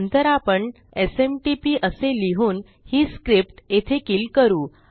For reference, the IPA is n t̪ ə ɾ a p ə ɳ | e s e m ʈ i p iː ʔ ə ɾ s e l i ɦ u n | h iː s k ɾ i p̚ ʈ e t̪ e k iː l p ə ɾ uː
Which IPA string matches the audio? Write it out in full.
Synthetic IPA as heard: n t̪ ə ɾ a p ə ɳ | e s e m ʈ i p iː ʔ ə s e l i ɦ uː n | h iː s k ɾ i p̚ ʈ e t̪ʰ e k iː l k ə ɾ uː